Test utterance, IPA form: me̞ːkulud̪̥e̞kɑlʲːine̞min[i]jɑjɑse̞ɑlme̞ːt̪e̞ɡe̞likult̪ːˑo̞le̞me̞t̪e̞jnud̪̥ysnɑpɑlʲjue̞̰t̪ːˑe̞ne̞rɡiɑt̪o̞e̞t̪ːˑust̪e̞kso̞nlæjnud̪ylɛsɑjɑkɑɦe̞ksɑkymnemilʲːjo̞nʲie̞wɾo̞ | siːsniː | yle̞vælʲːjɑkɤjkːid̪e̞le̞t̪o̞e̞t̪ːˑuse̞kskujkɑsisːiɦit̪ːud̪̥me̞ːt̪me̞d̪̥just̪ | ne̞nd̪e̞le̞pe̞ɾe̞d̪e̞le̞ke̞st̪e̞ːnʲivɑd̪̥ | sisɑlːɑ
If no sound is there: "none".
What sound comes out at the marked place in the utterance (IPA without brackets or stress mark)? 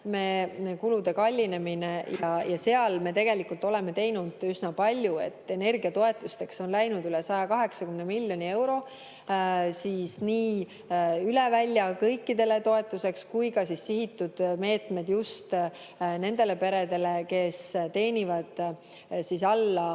e